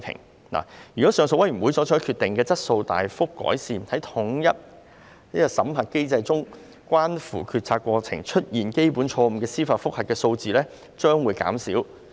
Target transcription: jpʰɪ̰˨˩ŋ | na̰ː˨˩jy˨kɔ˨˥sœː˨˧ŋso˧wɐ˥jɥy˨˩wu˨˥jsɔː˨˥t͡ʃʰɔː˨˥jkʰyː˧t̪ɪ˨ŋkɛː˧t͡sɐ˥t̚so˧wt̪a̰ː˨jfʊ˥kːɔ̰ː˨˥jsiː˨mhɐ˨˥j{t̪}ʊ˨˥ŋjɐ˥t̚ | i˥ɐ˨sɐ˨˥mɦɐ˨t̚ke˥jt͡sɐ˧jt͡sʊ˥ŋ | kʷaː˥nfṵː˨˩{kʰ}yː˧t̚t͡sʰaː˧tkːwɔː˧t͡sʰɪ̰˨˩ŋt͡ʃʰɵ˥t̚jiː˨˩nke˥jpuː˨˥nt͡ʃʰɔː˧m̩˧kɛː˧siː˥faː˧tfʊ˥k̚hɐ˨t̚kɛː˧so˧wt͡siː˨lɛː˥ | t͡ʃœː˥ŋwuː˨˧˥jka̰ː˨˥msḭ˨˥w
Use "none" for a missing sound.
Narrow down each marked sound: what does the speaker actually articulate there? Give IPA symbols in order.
t̪ʰ, kʰ

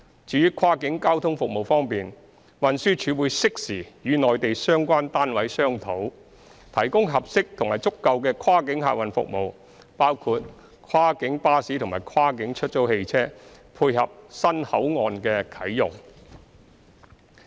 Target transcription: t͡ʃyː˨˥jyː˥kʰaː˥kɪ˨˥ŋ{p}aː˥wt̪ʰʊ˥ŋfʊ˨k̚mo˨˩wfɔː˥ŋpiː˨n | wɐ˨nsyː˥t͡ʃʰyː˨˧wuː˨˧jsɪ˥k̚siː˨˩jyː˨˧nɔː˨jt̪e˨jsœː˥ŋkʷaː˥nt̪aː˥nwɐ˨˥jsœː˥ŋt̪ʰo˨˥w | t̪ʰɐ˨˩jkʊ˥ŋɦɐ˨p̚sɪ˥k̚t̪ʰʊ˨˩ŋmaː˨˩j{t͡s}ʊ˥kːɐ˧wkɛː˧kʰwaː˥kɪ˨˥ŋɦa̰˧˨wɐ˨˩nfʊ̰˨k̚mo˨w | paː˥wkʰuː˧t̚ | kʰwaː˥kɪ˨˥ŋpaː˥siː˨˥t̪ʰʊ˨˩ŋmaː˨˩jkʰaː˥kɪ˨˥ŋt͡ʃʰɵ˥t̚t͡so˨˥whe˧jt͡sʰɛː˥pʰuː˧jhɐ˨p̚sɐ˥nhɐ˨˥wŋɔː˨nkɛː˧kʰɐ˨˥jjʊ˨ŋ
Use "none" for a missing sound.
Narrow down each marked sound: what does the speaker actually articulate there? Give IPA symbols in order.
k, t͡s

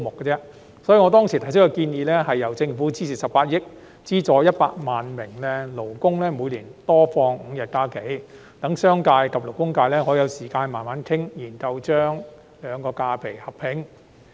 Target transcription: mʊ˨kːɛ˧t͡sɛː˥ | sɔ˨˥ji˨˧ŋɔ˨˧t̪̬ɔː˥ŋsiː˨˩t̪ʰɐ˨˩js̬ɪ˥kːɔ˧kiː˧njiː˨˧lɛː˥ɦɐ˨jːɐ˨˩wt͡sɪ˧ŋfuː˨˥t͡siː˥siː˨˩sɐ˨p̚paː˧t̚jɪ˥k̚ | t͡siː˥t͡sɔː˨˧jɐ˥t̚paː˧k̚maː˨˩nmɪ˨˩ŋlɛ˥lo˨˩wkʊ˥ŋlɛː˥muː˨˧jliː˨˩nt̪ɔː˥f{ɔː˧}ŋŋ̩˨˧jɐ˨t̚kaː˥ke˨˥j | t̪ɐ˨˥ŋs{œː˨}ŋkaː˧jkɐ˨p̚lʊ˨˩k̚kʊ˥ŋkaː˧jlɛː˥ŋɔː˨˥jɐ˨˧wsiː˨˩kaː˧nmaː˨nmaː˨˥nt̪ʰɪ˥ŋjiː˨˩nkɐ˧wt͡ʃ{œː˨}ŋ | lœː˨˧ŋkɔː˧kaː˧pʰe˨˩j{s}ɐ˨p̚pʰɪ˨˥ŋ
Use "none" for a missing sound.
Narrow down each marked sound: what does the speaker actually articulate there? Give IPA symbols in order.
ɔː˧, œː˥, œː˥, h

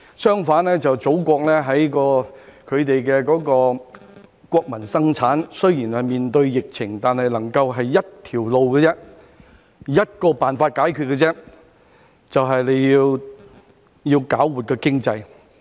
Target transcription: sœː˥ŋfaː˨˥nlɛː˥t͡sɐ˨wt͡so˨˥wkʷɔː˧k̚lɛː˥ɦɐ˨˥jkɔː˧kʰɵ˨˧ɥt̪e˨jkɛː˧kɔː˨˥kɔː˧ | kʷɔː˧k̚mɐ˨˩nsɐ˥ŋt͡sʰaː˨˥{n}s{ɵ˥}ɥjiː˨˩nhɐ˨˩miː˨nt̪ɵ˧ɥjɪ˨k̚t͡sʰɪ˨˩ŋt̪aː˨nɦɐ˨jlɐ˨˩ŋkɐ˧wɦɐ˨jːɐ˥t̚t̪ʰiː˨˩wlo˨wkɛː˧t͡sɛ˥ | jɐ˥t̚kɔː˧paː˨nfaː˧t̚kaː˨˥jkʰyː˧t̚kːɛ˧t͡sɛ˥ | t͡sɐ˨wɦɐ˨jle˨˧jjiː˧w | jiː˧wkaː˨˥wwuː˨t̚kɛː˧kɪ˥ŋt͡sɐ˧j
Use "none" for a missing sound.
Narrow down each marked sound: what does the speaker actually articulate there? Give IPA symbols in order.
n, ɵ˥

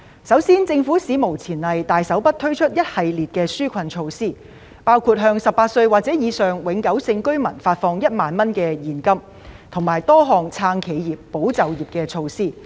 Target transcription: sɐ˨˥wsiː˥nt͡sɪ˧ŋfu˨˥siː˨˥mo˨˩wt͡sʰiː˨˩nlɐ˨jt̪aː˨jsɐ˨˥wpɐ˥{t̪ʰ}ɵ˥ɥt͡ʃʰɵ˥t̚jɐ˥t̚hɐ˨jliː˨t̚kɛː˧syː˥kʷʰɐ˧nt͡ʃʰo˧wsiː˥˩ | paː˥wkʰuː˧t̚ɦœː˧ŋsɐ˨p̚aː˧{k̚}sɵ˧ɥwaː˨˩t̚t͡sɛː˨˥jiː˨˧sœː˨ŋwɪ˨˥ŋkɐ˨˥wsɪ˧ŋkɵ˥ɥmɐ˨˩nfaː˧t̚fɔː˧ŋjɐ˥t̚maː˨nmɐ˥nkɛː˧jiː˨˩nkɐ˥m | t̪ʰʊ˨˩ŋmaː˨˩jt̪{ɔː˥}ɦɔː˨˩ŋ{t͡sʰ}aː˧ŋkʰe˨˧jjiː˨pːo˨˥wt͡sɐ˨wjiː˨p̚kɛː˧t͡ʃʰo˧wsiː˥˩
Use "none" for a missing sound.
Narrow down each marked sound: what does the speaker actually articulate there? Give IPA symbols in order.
t̪ʰ, t̚, ɔː˥, t͡sʰ

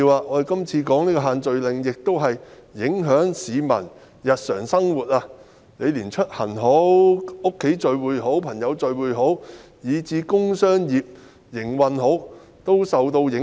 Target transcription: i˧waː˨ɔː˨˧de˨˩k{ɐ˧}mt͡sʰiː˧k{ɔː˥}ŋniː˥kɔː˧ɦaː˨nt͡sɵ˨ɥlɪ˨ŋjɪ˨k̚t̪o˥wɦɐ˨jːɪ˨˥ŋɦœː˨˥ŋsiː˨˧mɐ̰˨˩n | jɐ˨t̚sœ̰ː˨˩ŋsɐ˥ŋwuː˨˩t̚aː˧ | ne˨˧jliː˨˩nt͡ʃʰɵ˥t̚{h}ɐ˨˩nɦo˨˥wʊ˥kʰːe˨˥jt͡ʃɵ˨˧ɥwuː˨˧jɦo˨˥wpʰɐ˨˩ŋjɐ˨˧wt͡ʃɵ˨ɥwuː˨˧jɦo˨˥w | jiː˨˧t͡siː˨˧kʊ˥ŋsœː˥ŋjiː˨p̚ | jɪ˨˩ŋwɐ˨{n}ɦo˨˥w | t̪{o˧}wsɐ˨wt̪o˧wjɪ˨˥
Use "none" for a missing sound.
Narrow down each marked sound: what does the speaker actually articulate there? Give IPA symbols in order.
ɐ˥, ɔː˨˥, h, n, o˥

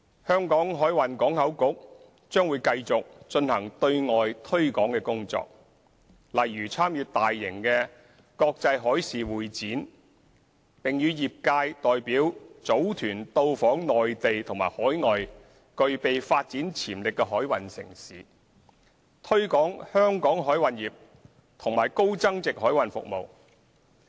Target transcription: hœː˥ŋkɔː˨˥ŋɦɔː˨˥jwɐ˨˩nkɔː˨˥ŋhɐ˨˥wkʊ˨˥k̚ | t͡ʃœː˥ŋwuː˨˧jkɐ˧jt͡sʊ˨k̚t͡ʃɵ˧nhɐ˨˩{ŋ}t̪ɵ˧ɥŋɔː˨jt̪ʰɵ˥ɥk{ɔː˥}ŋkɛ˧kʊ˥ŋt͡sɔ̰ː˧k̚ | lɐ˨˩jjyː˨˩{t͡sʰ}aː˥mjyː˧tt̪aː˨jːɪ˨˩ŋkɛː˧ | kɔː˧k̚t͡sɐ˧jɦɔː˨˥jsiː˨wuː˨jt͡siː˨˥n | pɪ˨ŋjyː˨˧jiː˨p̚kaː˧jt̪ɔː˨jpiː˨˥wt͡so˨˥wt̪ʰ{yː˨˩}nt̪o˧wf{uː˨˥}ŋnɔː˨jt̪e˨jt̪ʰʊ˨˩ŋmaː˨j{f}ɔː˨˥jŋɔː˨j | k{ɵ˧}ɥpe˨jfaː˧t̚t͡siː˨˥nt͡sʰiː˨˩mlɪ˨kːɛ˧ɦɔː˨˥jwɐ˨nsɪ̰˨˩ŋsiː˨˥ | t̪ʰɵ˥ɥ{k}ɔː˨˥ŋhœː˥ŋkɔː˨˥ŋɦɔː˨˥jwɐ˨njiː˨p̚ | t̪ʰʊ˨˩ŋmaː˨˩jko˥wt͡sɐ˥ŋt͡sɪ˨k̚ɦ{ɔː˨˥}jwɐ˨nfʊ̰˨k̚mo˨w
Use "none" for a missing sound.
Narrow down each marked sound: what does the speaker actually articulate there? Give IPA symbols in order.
ŋ, ɔː˨˥, t͡sʰ, yː˨˩, ɔː˨˥, h, ɵ˧, k, ɔː˨˥

